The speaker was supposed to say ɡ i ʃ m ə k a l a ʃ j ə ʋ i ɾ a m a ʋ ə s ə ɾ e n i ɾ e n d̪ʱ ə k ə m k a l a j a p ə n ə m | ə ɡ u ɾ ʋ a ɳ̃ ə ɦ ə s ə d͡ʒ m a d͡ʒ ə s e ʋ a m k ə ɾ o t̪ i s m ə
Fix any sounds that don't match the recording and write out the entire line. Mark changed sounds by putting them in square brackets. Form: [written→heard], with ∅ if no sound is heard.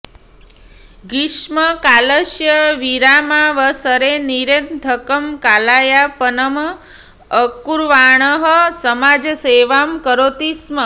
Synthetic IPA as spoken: ɡ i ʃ m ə k a l [a→ə] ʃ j ə ʋ i ɾ a m a ʋ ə s ə ɾ e n i ɾ e n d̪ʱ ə k ə m k a l a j a p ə n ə m | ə [ɡ→k] u ɾ ʋ a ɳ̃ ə ɦ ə s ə [d͡ʒ→∅] m a d͡ʒ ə s e ʋ a m k ə ɾ o t̪ i s m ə